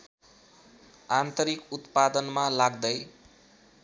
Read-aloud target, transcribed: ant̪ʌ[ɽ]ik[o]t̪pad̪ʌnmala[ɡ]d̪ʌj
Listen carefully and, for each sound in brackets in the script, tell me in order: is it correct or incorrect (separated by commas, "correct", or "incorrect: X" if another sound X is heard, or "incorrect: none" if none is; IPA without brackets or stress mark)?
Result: incorrect: ɾ, incorrect: u, correct